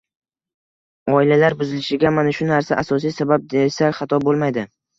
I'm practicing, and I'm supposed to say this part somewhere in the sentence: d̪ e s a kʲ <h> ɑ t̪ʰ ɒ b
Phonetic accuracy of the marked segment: incorrect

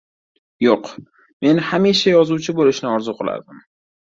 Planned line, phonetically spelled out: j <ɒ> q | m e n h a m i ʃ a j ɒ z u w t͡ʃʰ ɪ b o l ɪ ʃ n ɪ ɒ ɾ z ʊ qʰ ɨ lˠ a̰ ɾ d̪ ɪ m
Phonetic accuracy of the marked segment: incorrect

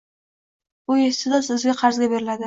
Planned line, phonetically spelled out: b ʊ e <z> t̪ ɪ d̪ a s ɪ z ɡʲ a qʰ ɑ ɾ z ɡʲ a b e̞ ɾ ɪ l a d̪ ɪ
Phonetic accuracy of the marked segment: incorrect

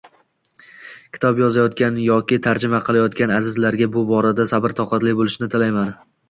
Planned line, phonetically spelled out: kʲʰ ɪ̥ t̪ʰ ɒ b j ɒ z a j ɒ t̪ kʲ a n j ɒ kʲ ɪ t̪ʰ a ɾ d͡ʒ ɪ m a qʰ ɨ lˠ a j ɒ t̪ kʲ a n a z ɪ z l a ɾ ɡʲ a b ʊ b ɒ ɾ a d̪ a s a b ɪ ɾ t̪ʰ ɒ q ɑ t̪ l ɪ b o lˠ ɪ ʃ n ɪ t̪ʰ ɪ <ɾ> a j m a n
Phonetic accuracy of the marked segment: incorrect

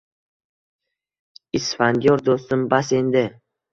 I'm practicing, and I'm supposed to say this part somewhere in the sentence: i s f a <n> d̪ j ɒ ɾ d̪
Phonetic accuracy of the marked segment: correct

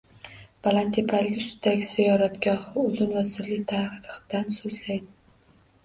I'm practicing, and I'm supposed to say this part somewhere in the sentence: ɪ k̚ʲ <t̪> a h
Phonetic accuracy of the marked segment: incorrect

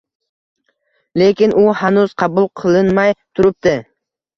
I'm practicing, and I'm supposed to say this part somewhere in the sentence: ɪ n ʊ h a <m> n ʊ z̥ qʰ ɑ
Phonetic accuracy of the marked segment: incorrect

